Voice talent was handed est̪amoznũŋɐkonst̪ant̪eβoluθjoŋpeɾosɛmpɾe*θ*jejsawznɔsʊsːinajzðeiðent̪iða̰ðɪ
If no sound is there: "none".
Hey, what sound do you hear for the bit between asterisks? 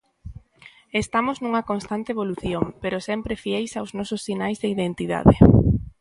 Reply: f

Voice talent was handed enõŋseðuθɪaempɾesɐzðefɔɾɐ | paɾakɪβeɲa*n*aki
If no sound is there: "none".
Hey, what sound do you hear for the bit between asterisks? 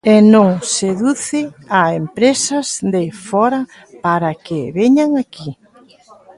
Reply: ŋ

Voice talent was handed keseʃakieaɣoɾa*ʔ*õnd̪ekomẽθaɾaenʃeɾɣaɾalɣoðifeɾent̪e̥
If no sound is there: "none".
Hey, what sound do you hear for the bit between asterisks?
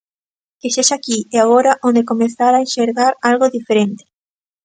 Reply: ʔ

